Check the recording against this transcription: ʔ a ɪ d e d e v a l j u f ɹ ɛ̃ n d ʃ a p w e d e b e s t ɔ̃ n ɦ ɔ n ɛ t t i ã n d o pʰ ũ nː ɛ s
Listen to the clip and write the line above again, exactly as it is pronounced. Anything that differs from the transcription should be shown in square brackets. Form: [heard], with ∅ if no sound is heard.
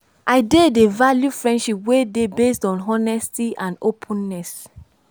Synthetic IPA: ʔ a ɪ d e d e v a l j u f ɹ ɛ̃ n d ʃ [i] p w e d e b e s t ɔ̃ n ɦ ɔ n ɛ [s] t i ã n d o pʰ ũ nː ɛ s